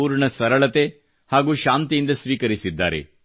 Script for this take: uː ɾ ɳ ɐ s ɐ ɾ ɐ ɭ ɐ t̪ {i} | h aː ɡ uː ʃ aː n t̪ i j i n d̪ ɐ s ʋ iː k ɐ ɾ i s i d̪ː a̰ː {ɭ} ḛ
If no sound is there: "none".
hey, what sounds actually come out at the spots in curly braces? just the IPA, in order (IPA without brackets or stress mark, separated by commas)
e, ɾ